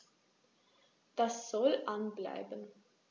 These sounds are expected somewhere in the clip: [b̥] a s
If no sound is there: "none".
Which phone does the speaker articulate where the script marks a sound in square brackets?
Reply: d̥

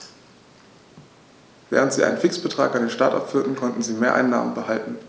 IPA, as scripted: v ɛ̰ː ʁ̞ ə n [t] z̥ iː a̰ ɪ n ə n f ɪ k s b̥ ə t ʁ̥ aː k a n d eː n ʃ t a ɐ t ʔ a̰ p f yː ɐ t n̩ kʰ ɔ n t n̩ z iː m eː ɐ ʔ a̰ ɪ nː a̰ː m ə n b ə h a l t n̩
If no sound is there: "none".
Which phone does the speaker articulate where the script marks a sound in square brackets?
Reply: t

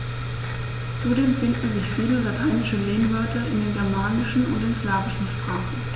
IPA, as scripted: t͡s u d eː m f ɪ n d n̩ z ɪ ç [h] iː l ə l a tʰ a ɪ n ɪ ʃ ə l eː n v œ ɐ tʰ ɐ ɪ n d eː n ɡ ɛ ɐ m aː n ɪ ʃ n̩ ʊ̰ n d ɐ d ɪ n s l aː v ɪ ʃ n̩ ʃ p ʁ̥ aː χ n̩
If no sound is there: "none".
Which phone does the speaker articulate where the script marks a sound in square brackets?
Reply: f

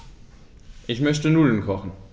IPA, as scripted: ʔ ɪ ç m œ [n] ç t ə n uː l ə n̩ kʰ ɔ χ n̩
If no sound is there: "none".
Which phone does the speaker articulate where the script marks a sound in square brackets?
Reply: none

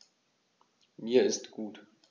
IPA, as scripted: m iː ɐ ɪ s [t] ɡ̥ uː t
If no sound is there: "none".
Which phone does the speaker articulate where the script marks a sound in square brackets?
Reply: t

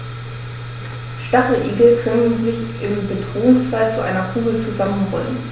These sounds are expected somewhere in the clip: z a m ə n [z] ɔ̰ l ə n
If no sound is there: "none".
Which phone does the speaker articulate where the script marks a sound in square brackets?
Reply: ʁ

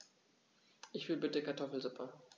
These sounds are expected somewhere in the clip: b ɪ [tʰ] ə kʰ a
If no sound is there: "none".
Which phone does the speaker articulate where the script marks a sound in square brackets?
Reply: t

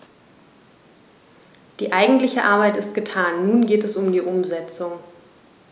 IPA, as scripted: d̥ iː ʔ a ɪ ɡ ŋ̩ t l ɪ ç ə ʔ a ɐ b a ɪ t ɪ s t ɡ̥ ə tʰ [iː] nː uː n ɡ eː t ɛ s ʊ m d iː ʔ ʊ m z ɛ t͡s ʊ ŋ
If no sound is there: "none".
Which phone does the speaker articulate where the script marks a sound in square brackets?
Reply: aː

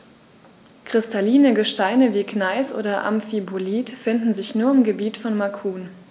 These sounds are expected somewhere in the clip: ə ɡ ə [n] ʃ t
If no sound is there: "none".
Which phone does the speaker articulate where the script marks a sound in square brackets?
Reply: none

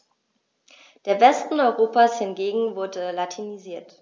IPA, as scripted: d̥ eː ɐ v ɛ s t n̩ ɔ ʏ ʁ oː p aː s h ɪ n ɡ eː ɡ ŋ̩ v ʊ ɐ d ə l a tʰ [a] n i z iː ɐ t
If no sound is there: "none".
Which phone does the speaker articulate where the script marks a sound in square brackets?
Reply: i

